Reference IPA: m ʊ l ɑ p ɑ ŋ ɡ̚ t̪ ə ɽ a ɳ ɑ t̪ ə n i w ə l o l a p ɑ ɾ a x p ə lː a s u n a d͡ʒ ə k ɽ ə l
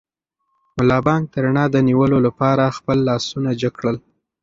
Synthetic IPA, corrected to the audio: m ʊ l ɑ b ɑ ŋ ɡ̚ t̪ ə ɾ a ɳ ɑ d̪ ə n i w ə l o l a p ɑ ɾ a x p ə lː ɑ s u n a d͡ʒ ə k ɽ ə l